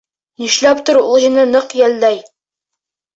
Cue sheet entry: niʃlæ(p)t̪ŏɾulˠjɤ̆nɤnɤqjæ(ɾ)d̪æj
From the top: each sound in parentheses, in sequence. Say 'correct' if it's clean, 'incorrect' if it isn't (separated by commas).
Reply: correct, incorrect